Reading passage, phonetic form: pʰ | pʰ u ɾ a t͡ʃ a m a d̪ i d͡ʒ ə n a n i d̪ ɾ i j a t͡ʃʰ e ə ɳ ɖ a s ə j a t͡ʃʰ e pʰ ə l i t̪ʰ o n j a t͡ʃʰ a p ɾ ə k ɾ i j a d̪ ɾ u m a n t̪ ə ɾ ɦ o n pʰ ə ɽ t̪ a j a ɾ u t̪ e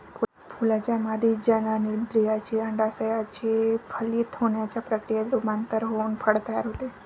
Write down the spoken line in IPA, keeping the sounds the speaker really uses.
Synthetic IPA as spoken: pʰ | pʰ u l a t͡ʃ a m a d̪ i d͡ʒ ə n a n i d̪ ɾ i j a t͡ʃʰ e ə ɳ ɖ a s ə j a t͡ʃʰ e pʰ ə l i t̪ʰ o n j a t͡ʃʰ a p ɾ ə k ɾ i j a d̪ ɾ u m a n t̪ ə ɾ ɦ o n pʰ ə ɽ t̪ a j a ɾ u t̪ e